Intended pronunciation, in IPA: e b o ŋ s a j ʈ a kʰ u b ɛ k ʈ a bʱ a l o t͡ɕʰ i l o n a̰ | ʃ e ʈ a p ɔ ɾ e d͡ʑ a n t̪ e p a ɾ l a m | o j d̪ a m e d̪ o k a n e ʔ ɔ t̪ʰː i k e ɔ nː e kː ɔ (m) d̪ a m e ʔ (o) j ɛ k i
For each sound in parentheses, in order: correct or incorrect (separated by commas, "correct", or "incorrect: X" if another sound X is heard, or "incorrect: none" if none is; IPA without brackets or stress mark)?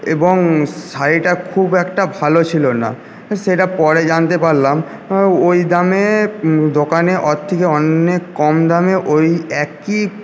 correct, correct